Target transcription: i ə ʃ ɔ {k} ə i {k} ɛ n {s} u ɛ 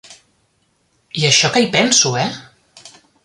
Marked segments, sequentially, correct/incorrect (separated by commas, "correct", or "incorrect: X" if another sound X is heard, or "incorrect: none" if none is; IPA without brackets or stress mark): correct, incorrect: p, correct